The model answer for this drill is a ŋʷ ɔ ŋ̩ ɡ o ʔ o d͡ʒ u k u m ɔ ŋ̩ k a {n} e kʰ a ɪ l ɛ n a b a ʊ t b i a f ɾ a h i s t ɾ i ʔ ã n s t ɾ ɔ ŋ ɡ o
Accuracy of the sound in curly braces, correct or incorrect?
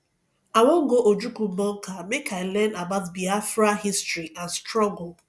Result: incorrect